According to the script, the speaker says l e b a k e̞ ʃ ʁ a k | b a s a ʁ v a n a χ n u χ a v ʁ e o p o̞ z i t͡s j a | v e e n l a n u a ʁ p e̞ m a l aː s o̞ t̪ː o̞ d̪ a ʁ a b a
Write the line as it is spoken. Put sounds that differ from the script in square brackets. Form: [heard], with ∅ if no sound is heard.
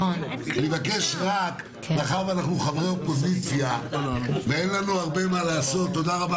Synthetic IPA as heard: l e [v] a k e̞ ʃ ʁ a k | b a [χ] a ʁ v a n a χ n u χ a v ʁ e o p o̞ z i t͡s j a | v e e n l a n u a ʁ [b] e̞ m a l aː s o̞ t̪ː o̞ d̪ a ʁ a b a